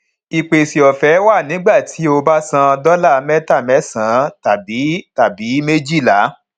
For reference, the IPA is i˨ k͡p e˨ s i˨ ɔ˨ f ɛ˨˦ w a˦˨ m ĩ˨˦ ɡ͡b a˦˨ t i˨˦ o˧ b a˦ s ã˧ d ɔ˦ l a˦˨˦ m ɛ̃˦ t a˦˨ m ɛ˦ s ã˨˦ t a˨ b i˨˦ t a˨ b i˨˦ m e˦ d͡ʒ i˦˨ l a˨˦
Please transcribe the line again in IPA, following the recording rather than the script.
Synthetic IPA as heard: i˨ k͡p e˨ s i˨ ɔ˨ f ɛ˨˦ w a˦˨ n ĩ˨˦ ɡ͡b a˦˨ t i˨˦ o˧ b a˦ s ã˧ d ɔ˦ l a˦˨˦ m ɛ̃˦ t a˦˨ m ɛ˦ s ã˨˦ t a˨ b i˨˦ t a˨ b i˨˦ m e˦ d͡ʒ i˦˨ l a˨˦